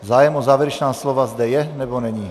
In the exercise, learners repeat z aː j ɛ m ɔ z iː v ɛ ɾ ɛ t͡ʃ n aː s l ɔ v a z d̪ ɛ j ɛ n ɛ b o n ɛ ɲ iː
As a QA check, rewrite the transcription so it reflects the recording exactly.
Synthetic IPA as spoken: z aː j ɛ m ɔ z aː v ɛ ɾ ɛ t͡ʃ n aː s l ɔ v a z d̪ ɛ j ɛ n ɛ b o n ɛ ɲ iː